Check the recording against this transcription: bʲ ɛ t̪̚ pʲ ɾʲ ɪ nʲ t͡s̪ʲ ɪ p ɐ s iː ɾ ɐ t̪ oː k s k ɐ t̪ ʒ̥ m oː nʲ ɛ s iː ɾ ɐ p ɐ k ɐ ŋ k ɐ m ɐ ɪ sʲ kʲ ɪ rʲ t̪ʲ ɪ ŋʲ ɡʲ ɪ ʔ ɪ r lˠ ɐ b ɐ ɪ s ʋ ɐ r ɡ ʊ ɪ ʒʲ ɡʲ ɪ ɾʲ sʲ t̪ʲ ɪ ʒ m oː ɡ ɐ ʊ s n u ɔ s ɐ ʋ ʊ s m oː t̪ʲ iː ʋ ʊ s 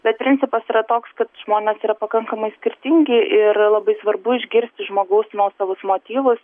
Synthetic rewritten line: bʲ ɛ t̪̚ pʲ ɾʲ ɪ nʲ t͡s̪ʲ ɪ p ɐ s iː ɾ ɐ t̪ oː k s k ɐ t̪ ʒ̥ m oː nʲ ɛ s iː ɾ ɐ p ɐ k ɐ ŋ k ɐ m ɐ ɪ sʲ kʲ ɪ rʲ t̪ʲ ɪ ŋʲ ɡʲ ɪ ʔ ɪ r lˠ ɐ b ɐ ɪ s ʋ ɐ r b ʊ ɪ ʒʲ ɡʲ ɪ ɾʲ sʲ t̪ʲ ɪ ʒ m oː ɡ ɐ ʊ s n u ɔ s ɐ ʋ ʊ s m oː t̪ʲ iː ʋ ʊ s

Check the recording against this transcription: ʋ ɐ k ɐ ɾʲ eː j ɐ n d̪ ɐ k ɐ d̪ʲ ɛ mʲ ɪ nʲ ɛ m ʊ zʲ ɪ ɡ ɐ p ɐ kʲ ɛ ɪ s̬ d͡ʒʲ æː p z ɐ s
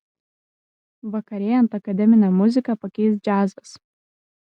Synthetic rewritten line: ʋ ɐ k ɐ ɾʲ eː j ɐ n t̪ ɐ k ɐ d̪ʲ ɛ mʲ ɪ nʲ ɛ m ʊ zʲ ɪ k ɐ p ɐ kʲ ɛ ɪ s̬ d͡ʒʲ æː z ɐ s

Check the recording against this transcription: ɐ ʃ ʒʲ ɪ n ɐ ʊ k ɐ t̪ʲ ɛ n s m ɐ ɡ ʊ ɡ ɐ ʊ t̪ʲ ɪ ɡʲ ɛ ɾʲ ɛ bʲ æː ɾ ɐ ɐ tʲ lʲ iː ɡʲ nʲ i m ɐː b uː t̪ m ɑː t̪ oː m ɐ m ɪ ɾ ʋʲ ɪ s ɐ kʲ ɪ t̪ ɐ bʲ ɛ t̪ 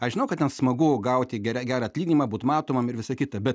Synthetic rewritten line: ɐ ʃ ʒʲ ɪ n ɐ ʊ k ɐ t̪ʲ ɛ n s m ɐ ɡ ʊ ɡ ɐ ʊ t̪ʲ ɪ ɡʲ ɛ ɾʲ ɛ ɡʲ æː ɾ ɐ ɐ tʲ lʲ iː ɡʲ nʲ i m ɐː b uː t̪ m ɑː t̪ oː m ɐ m ɪ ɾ ʋʲ ɪ s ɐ kʲ ɪ t̪ ɐ bʲ ɛ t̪

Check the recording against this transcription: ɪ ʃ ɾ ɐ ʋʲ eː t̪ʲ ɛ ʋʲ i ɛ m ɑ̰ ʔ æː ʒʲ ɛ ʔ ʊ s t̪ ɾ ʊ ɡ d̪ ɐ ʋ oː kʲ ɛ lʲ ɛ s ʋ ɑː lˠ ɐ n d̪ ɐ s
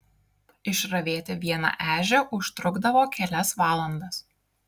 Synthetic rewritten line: ɪ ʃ ɾ ɐ ʋʲ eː t̪ʲ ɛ ʋʲ i ɛ n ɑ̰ ʔ æː ʒʲ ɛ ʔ ʊ ʃ t̪ ɾ ʊ ɡ d̪ ɐ ʋ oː kʲ ɛ lʲ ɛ s ʋ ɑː lˠ ɐ n d̪ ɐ s

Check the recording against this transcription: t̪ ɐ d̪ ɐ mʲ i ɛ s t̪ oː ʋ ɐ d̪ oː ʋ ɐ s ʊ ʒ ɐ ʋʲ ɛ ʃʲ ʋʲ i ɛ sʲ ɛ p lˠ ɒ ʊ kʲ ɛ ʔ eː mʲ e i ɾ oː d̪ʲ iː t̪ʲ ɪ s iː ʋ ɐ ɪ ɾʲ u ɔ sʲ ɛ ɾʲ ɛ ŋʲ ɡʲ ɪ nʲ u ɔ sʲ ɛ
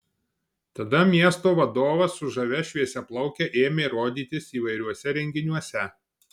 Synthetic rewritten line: t̪ ɐ d̪ ɐ mʲ i ɛ s t̪ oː ʋ ɐ d̪ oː ʋ ɐ s ʊ ʒ ɐ ʋʲ ɛ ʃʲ ʋʲ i ɛ sʲ ɛ p lˠ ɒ ʊ kʲ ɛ ʔ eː mʲ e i ɾ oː d̪ʲ iː t̪ʲ ɪ s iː ʋ ɐ ɪ ɾʲ u ɔ sʲ ɛ ɾʲ ɛ ŋʲ ɡʲ ɪ nʲ u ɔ sʲ ɛ

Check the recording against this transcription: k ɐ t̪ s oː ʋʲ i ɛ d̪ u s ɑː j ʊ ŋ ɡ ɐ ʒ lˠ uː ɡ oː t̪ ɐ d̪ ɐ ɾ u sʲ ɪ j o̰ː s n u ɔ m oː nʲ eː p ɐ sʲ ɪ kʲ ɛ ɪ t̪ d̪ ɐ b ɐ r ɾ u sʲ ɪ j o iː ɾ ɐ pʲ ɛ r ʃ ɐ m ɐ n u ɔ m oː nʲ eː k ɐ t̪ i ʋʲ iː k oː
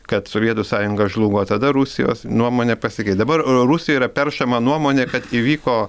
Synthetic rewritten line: k ɐ t̪ s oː ʋʲ i ɛ t̪ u s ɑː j ʊ ŋ ɡ ɐ ʒ lˠ uː ɡ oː t̪ ɐ d̪ ɐ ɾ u sʲ ɪ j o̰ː s n u ɔ m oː nʲ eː p ɐ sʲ ɪ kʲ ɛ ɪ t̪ d̪ ɐ b ɐ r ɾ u sʲ ɪ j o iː ɾ ɐ pʲ ɛ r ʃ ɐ m ɐ n u ɔ m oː nʲ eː k ɐ t̪ i ʋʲ iː k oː

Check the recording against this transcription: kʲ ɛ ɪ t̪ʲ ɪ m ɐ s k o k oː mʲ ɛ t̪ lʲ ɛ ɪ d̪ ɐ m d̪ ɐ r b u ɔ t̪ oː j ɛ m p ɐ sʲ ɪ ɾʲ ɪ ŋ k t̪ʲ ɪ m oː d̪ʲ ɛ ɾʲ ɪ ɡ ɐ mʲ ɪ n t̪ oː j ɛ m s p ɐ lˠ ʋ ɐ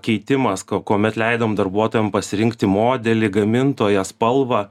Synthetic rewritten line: kʲ ɛ ɪ t̪ʲ ɪ m ɐ s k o k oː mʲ ɛ t̪ lʲ ɛ ɪ d̪ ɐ m d̪ ɐ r b u ɔ t̪ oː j ɛ m p ɐ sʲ ɪ ɾʲ ɪ ŋ k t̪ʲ ɪ m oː d̪ʲ ɛ lʲ ɪ ɡ ɐ mʲ ɪ n t̪ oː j ɛ s p ɐ lˠ ʋ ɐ

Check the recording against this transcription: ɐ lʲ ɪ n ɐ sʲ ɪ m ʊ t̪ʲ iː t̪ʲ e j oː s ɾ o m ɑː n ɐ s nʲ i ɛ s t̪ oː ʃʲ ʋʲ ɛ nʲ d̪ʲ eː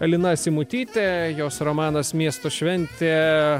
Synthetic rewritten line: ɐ lʲ ɪ n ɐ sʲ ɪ m ʊ t̪ʲ iː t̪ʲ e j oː s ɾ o m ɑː n ɐ s mʲ i ɛ s t̪ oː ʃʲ ʋʲ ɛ nʲ t̪ʲ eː

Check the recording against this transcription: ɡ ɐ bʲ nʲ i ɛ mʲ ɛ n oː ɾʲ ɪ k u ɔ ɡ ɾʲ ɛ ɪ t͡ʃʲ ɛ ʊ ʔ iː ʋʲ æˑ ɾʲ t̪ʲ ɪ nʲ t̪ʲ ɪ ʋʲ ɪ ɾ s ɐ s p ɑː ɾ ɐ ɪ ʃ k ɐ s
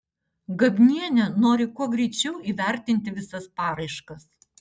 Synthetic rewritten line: ɡ ɐ bʲ nʲ i ɛ nʲ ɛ n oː ɾʲ ɪ k u ɔ ɡ ɾʲ ɛ ɪ t͡ʃʲ ɛ ʊ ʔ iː ʋʲ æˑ ɾʲ t̪ʲ ɪ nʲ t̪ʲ ɪ ʋʲ ɪ s ɐ s p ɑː ɾ ɐ ɪ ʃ k ɐ s

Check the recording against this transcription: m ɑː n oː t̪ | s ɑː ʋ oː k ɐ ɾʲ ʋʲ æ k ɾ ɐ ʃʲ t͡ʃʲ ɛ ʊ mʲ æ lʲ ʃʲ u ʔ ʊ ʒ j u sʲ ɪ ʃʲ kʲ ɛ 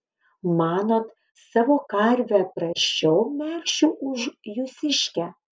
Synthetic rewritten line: m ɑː n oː t̪ | s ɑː ʋ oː k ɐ ɾʲ ʋʲ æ p ɾ ɐ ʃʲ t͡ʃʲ ɛ ʊ mʲ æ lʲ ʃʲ u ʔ ʊ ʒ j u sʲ ɪ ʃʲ kʲ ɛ

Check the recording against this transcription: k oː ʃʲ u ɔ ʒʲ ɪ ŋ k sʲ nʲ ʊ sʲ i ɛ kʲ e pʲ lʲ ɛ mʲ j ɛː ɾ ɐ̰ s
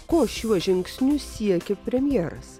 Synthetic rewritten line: k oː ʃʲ u ɔ ʒʲ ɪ ŋ k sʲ nʲ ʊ sʲ i ɛ kʲ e pʲ ɾʲ ɛ mʲ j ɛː ɾ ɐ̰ s

